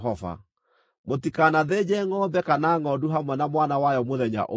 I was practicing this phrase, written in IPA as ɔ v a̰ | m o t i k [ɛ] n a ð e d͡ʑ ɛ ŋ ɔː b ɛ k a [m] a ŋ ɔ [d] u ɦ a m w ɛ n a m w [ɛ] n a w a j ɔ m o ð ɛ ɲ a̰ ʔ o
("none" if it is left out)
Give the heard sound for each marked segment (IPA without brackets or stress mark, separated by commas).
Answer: a, n, d, a